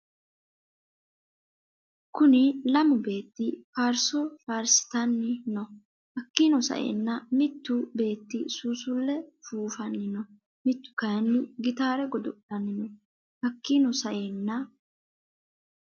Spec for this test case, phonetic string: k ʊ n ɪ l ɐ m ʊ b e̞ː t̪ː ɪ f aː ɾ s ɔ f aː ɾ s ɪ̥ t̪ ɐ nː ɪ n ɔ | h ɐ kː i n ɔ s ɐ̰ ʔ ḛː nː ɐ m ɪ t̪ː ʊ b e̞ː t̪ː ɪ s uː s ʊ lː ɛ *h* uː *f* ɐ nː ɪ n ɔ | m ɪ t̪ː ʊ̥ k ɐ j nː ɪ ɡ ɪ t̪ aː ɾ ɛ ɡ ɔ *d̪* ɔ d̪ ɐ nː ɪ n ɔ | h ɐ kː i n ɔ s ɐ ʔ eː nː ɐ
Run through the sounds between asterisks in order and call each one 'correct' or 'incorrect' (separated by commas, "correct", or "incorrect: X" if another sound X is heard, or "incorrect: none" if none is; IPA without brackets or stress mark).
incorrect: f, correct, correct